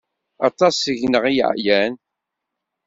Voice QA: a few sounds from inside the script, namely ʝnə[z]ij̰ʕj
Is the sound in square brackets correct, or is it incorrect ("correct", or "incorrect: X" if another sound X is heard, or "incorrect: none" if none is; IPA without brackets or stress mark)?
incorrect: ʁ